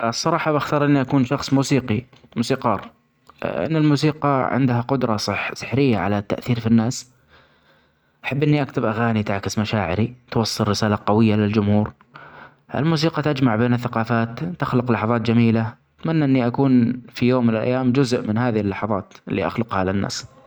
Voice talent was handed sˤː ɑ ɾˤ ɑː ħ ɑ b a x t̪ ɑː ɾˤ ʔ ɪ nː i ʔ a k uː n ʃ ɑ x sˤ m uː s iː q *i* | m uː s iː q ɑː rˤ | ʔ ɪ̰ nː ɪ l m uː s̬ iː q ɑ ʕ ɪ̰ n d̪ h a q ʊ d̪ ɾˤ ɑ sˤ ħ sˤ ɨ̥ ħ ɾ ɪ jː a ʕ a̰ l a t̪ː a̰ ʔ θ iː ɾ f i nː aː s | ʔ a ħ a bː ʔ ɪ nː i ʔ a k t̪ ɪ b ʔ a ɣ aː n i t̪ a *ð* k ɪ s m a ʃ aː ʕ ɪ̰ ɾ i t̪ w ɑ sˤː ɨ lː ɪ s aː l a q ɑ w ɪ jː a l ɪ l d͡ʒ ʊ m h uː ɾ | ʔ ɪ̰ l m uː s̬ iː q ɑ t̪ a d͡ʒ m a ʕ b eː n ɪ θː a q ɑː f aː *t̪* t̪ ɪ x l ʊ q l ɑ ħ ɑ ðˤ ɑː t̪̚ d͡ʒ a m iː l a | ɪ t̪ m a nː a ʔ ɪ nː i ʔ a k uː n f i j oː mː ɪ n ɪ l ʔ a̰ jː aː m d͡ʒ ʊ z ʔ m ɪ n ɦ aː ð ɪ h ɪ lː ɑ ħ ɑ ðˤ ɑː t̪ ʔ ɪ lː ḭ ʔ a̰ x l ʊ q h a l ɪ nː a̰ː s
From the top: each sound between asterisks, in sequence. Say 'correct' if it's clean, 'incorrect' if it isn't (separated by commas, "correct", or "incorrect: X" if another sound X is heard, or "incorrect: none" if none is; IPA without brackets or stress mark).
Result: correct, incorrect: ʕ, correct